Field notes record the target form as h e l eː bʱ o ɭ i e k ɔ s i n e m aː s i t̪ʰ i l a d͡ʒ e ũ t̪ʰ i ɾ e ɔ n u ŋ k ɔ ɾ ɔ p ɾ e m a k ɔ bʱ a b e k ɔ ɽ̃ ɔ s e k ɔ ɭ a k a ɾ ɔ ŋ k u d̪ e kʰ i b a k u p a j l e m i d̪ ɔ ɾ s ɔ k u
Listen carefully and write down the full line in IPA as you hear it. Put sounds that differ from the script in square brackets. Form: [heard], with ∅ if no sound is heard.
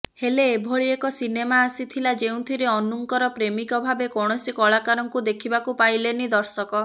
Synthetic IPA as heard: h e l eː bʱ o ɭ i e k ɔ s i n e m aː s i t̪ʰ i l a d͡ʒ e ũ t̪ʰ i ɾ e ɔ n u ŋ k ɔ ɾ ɔ p ɾ e m [i] k ɔ bʱ a b e k ɔ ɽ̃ ɔ s [i] k ɔ ɭ a k a ɾ ɔ ŋ k u d̪ e kʰ i b a k u p a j l e [n] i d̪ ɔ ɾ s ɔ k [ɔ]

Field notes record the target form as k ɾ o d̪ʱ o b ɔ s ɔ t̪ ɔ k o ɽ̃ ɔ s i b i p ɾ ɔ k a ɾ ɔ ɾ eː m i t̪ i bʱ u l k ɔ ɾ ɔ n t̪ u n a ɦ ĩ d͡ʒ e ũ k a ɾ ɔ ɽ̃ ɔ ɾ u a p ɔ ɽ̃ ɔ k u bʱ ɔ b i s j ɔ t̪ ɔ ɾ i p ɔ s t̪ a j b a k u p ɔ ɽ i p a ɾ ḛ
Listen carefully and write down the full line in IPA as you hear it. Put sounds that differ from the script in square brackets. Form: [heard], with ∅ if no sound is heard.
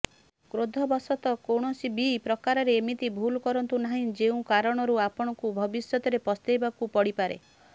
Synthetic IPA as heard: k ɾ o d̪ʱ [ɔ] b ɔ s ɔ t̪ ɔ k o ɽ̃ ɔ s i b i p ɾ ɔ k a ɾ ɔ ɾ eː m i t̪ i bʱ u l k ɔ ɾ ɔ n t̪ u n a ɦ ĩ d͡ʒ e ũ k a ɾ ɔ ɽ̃ ɔ ɾ u a p ɔ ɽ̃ ɔ k u bʱ ɔ b i s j ɔ t̪ ɔ ɾ [e] p ɔ s t̪ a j b a k u p ɔ ɽ i p a ɾ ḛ

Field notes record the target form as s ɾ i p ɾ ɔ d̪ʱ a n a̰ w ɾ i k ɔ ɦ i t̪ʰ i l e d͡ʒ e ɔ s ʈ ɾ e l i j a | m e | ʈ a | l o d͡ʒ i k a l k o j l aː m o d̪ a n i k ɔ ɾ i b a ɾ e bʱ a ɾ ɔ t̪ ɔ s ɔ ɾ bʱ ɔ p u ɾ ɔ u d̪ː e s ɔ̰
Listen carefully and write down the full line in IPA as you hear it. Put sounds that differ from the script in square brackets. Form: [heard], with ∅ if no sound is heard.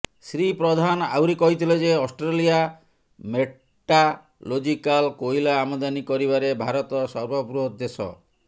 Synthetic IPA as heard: s ɾ i p ɾ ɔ d̪ʱ a n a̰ w ɾ i k ɔ ɦ i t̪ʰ i l e d͡ʒ e ɔ s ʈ ɾ e l i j a | m e | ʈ a | l o d͡ʒ i k a l k o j l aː m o d̪ a n i k ɔ ɾ i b a ɾ e bʱ a ɾ ɔ t̪ ɔ s ɔ ɾ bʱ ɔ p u ɾ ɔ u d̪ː e s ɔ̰

